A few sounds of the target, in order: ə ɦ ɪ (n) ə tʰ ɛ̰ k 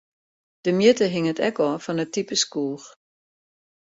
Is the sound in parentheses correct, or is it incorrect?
incorrect